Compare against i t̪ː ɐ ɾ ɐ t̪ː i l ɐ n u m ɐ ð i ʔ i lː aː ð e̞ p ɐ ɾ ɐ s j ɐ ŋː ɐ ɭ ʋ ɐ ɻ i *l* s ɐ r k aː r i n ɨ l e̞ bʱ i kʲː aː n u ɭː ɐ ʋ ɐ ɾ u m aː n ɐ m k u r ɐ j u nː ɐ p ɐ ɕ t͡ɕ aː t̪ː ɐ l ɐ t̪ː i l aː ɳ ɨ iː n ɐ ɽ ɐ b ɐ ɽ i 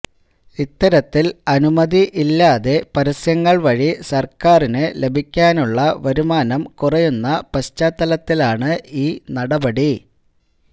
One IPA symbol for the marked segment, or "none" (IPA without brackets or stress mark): none